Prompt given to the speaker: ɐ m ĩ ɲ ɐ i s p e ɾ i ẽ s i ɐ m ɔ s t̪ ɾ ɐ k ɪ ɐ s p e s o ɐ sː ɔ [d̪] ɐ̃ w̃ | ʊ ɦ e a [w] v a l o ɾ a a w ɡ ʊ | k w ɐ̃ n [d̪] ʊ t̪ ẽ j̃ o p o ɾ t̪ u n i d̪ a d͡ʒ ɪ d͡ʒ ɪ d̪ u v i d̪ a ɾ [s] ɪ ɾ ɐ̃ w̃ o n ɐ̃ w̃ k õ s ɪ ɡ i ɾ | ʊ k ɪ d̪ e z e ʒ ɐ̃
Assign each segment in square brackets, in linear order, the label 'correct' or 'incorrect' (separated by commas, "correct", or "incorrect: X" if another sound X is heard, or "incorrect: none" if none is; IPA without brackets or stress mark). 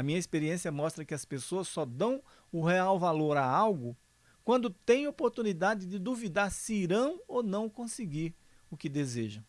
correct, correct, correct, correct